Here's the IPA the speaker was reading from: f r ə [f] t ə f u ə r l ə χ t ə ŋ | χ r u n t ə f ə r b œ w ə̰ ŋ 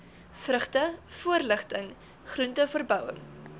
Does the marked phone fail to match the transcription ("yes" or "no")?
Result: yes